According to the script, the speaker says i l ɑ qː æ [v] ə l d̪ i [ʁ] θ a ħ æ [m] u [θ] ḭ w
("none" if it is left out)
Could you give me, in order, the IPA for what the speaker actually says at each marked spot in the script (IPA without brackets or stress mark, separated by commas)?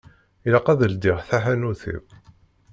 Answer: ð, ʁ, n, θ